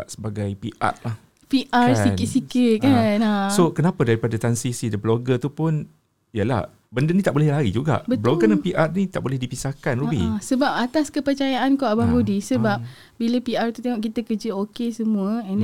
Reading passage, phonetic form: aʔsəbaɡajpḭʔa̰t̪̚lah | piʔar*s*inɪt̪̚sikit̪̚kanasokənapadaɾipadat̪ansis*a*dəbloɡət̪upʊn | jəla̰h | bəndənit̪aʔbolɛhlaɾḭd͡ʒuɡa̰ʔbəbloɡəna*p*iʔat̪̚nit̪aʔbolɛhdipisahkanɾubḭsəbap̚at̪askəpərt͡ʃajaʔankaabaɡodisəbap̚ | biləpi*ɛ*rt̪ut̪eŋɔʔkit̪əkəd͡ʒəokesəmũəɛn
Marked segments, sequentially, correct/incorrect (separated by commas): correct, incorrect, correct, incorrect